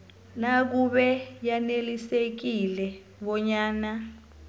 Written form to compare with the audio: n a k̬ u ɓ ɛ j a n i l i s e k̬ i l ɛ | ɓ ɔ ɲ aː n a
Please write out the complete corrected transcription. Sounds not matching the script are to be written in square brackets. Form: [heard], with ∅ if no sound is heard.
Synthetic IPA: n a k̬ u ɓ ɛ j a n [e] l i s e k̬ i l ɛ | ɓ ɔ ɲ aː n a